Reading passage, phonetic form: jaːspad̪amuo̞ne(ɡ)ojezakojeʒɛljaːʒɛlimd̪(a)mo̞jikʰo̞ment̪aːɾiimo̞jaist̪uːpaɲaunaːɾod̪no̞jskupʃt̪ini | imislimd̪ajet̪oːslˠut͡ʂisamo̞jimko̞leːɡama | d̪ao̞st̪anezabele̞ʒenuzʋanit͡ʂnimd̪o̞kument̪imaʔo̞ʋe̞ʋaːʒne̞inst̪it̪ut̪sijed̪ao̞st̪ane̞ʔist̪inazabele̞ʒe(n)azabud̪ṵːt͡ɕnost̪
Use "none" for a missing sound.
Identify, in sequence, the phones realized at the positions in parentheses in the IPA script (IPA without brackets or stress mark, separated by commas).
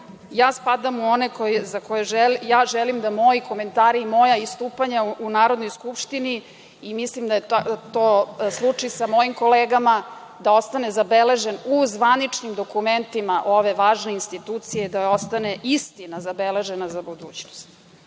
k, a, n